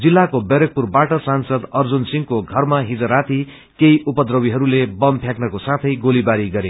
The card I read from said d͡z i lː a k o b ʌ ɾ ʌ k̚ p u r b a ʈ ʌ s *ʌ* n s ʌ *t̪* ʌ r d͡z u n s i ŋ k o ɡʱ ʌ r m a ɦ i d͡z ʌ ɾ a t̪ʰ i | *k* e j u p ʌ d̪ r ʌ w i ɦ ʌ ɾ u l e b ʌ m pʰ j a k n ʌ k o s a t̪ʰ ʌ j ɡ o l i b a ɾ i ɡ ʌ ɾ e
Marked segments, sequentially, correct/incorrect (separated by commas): incorrect, incorrect, correct